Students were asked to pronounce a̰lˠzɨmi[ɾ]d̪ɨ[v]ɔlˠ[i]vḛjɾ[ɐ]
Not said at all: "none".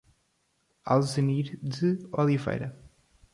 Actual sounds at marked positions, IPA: ɾ, none, i, ɐ

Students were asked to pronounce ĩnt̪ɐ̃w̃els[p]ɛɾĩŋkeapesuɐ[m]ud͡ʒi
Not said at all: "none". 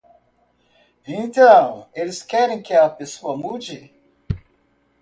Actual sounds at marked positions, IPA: k, m

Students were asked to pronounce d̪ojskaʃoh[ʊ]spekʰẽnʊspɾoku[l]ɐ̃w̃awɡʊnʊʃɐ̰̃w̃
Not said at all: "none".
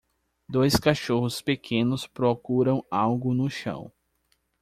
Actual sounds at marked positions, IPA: ʊ, ɾ

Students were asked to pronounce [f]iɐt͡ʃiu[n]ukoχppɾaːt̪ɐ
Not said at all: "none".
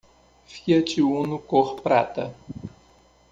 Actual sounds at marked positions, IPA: f, n

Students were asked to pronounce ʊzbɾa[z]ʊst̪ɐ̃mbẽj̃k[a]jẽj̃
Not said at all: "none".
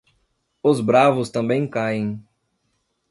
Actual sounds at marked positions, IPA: v, a

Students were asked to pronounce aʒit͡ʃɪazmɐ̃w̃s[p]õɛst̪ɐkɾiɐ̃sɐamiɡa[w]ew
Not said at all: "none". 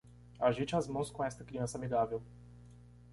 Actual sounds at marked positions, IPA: k, v

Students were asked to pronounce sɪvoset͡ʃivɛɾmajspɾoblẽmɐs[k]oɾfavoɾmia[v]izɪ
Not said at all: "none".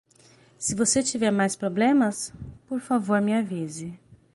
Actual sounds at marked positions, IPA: p, v

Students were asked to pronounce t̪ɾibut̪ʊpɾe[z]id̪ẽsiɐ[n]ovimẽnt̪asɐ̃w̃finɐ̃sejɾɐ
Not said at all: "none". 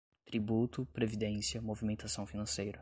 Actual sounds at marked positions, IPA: v, m

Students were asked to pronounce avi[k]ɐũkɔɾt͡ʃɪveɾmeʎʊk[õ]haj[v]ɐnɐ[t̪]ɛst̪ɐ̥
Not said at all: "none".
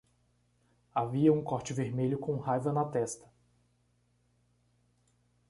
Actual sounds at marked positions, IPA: none, õ, v, t̪

